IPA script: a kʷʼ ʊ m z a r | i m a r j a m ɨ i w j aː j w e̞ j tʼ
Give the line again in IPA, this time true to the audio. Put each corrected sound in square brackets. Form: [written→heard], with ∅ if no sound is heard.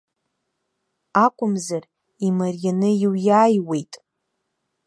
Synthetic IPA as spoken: a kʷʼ ʊ m z a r | i m a r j a [m→n] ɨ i w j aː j w e̞ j tʼ